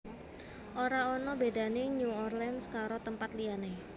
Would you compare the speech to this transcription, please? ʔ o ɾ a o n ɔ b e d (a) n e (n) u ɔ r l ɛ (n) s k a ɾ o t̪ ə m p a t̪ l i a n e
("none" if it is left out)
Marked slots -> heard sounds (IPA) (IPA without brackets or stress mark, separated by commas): a, ɲ, n